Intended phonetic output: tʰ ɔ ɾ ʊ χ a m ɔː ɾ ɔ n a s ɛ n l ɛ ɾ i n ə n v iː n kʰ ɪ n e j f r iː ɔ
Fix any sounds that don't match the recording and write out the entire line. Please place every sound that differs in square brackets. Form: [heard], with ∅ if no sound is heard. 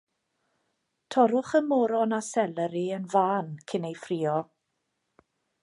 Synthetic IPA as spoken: tʰ ɔ ɾ ʊ χ [ə] m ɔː ɾ ɔ n a s ɛ [∅] l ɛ ɾ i [∅] ə n v [aː] n kʰ ɪ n e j f r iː ɔ